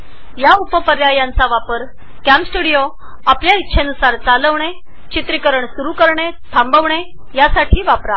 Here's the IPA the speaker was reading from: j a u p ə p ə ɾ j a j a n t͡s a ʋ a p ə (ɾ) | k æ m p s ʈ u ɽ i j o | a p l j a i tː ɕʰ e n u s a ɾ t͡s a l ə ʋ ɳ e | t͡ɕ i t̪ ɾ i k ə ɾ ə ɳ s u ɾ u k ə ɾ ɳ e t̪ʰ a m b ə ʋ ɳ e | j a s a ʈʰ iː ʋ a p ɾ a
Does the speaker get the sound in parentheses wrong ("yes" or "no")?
no